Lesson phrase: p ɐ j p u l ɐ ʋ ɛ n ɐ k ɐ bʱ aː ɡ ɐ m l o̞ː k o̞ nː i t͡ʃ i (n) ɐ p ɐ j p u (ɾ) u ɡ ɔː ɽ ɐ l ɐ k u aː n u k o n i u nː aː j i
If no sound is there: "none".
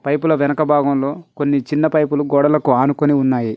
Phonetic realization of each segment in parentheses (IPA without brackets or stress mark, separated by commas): nː, l